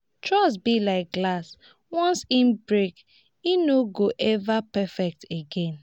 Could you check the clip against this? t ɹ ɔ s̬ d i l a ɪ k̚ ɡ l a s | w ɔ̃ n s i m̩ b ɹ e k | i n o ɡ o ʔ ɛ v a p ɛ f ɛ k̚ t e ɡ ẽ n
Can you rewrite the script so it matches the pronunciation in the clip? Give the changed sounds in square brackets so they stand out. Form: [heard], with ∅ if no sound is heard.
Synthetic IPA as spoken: t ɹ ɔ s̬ [b] i l a ɪ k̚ ɡ l a s | w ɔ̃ n s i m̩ b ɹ e k | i n o ɡ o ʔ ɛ v a p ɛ f ɛ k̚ t e ɡ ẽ n